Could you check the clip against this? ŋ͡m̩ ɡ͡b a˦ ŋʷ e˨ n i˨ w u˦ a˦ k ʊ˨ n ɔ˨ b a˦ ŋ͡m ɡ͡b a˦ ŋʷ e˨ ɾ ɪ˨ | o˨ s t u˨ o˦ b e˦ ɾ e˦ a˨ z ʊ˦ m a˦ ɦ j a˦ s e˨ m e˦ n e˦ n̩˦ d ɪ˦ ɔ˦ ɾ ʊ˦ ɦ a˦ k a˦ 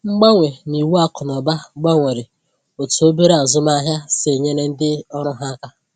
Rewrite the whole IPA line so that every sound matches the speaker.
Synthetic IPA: ŋ͡m̩ ɡ͡b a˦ ŋʷ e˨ n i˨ w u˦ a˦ k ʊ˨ n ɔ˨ b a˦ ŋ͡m ɡ͡b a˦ ŋʷ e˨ ɾ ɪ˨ | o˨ t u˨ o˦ b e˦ ɾ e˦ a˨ z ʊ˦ m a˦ ɦ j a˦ s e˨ ɲ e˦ n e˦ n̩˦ d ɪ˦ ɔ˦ ɾ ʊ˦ ɦ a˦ k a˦